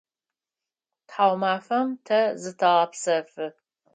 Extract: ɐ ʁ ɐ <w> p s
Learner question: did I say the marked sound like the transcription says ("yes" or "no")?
no